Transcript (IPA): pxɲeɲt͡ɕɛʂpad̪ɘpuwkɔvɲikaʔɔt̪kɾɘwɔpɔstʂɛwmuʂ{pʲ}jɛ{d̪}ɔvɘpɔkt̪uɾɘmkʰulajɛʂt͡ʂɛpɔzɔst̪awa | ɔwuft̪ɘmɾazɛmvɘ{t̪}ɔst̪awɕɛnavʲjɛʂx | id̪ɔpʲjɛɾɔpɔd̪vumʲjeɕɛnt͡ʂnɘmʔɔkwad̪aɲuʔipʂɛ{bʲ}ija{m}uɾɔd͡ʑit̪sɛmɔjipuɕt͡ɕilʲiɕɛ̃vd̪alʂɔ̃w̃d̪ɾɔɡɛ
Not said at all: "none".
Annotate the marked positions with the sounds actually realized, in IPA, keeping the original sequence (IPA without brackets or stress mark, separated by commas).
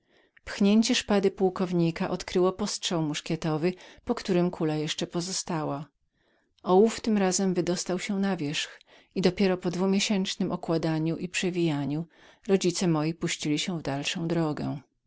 kʲ, t̪, d̪, vʲ, ɲ